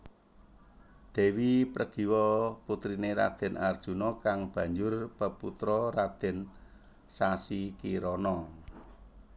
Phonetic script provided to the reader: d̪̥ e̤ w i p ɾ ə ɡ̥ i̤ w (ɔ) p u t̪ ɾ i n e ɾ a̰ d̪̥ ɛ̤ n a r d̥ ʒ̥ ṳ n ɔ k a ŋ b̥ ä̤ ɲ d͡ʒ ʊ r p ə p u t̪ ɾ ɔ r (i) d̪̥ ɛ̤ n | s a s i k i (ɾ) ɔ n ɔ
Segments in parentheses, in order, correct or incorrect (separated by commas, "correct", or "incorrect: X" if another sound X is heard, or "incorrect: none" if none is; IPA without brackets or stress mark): correct, incorrect: a, correct